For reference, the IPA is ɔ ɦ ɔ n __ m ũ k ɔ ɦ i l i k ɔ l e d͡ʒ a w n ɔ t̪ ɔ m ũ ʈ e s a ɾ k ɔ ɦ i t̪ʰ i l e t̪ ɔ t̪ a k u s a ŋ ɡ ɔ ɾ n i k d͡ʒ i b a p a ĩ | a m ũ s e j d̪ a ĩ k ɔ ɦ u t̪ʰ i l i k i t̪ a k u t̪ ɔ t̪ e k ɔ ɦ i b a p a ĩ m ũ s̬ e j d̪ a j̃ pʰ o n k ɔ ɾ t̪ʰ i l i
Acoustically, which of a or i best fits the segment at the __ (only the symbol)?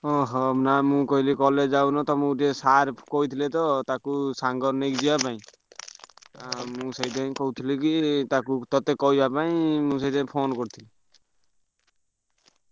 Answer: a